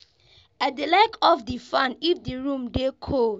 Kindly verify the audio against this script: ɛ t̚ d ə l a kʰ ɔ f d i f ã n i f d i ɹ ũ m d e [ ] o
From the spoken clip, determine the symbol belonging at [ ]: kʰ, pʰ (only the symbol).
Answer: kʰ